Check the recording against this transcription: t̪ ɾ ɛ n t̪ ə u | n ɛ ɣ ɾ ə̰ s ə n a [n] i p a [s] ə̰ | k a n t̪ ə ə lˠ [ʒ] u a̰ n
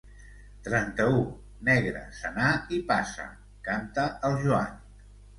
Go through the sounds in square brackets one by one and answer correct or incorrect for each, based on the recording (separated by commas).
incorrect, correct, correct